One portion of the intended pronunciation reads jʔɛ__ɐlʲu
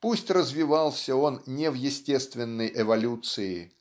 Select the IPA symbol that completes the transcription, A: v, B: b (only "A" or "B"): A